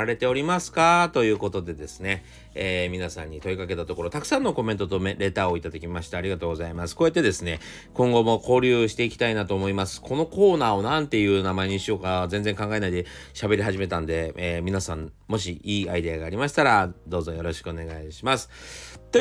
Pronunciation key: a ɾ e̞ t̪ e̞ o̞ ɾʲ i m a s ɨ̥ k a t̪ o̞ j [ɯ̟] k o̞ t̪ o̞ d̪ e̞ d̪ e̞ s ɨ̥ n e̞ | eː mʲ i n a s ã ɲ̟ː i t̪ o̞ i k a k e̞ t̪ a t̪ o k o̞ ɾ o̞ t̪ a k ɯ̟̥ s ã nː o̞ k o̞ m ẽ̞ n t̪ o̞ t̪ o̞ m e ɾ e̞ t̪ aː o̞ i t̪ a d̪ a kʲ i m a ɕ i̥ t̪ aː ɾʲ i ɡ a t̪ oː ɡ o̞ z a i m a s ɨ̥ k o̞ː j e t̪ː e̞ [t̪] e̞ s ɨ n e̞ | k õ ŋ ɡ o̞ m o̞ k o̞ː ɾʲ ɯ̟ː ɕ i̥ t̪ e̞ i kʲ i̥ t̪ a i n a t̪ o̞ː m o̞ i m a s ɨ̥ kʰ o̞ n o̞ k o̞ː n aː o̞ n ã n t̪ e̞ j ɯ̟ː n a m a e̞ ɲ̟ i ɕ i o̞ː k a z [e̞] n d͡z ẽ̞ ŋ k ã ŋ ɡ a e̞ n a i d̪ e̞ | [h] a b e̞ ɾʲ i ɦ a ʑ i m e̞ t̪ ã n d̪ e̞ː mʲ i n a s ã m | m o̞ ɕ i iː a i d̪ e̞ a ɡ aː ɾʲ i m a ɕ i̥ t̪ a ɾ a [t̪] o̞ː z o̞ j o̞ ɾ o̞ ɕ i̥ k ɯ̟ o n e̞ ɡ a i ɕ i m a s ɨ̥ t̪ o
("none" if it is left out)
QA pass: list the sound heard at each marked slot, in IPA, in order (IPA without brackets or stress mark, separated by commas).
ɯ̟ː, d̪, ẽ̞, ɕ, d̪